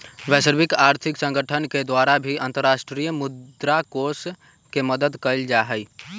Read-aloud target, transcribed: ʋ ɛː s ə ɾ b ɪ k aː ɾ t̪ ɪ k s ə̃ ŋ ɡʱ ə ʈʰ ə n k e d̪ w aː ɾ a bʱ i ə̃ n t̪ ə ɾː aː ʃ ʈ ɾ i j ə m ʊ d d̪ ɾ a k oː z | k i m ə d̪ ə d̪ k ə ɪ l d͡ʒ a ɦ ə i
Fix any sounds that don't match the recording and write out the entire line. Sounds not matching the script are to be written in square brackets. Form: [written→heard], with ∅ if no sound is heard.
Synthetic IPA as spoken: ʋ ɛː s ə ɾ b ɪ k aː ɾ [t̪→t̪ʰ] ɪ k s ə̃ ŋ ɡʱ ə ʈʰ ə n k e d̪ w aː ɾ a bʱ i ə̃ n t̪ ə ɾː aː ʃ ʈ ɾ i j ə m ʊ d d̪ ɾ a k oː [z→s] | k [i→e] m ə d̪ ə d̪ k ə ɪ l d͡ʒ a ɦ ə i